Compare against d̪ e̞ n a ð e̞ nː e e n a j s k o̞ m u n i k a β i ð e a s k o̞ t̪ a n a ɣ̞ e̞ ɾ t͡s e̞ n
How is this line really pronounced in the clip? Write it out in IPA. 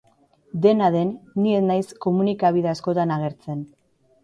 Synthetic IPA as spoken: d̪ e̞ n a ð e̞ nː i e n a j s k o̞ m u n i k a β i ð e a s k o̞ t̪ a n a ɣ̞ e̞ ɾ t͡s e̞ n